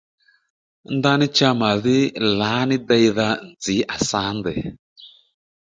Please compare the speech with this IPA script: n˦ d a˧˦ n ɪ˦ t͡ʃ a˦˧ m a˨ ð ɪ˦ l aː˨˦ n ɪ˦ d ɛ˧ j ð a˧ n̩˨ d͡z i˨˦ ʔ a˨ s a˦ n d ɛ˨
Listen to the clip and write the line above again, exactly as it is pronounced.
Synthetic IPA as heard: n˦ d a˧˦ n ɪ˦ t͡ʃ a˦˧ m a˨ ð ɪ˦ l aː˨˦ n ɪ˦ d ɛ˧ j ð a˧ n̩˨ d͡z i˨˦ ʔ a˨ s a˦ n d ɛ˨